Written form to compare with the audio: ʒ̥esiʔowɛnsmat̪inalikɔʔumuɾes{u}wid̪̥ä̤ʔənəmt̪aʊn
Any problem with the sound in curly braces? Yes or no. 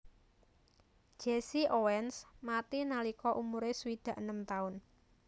no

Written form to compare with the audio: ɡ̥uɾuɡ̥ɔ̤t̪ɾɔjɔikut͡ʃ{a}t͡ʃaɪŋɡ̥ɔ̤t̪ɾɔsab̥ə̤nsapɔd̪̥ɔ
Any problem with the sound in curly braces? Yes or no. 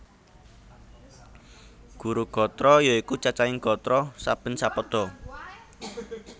no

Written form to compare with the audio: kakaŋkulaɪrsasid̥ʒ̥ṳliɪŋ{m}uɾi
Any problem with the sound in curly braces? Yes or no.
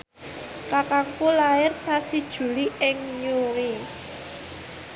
yes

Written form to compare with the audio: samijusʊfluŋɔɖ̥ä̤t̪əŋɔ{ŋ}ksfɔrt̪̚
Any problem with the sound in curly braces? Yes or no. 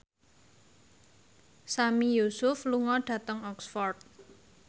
yes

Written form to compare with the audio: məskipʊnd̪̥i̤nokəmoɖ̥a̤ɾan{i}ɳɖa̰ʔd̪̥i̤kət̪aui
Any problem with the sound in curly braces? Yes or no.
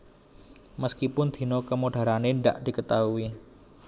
yes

